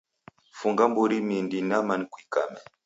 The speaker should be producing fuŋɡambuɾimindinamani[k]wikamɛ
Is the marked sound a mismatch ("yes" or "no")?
no